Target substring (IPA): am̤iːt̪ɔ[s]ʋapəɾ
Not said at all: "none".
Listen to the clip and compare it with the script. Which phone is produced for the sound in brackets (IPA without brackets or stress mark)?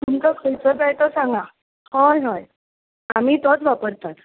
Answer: t͡s